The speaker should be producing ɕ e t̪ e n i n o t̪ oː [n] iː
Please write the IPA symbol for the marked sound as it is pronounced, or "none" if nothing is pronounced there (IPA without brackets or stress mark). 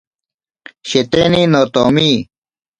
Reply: m